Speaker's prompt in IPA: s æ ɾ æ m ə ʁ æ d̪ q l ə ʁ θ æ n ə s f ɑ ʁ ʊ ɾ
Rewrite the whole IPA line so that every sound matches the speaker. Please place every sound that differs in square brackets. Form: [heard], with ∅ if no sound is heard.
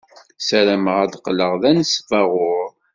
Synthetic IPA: s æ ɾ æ m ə ʁ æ d̪ q l ə ʁ [ð] æ n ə s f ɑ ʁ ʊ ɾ